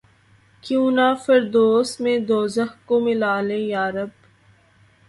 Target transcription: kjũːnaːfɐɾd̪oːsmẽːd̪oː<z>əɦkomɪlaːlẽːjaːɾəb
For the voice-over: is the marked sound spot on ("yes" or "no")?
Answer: yes